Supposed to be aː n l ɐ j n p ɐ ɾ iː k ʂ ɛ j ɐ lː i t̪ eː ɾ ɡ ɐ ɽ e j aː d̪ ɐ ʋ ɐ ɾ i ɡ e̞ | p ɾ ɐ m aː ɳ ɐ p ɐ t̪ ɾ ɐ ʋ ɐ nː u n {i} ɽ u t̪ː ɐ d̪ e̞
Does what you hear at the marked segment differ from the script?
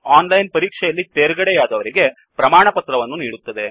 yes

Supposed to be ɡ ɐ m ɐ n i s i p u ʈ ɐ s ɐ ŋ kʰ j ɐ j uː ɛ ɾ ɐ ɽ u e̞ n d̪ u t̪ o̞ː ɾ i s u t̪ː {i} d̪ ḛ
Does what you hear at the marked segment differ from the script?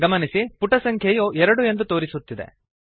no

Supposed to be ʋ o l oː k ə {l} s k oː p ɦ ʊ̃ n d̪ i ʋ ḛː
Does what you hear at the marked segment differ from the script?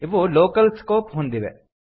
no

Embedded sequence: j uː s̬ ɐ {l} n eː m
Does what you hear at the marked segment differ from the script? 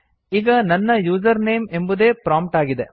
yes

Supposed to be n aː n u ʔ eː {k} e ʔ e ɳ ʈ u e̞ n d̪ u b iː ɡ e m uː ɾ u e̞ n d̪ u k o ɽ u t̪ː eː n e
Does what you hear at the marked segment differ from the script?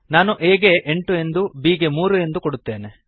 yes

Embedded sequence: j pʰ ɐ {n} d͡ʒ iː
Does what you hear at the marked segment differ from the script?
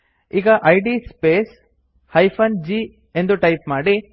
no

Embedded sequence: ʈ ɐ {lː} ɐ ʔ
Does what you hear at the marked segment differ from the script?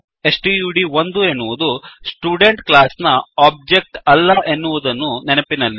no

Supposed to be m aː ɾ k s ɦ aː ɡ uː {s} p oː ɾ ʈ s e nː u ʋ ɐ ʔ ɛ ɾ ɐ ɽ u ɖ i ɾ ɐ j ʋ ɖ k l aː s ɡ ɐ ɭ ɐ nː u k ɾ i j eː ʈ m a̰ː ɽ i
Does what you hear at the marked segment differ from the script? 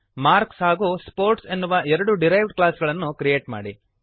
no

